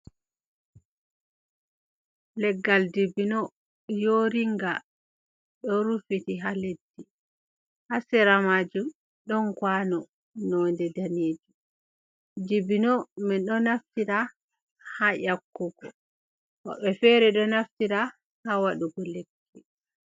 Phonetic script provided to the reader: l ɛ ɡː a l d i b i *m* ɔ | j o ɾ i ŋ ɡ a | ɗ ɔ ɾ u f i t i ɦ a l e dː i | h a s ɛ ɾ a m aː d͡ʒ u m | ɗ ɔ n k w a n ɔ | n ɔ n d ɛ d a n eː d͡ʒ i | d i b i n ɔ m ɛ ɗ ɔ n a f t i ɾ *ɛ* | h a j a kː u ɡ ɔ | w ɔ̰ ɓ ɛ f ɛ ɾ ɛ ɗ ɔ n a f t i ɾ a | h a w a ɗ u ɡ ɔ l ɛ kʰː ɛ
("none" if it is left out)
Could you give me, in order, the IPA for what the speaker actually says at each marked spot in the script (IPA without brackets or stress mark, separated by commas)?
n, a